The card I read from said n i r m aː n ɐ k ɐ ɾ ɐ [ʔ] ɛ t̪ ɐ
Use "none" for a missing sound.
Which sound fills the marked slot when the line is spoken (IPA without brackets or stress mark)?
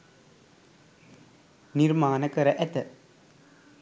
ʔ